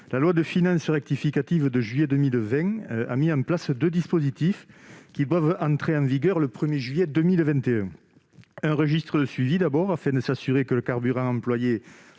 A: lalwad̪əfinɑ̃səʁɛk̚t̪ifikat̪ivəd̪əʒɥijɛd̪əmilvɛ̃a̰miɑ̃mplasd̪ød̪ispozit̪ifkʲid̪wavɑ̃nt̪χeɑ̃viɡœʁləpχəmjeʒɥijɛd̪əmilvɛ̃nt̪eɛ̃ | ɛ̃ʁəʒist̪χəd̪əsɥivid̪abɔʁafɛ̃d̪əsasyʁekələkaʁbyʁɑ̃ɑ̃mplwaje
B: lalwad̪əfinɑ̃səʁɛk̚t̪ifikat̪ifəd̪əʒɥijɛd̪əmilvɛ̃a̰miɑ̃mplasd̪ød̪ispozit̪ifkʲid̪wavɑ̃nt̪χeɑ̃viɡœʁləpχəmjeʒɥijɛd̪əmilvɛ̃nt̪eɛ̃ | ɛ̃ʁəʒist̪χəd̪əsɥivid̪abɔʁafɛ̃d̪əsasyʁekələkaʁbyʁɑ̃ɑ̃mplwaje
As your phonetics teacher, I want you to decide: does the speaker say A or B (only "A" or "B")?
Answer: A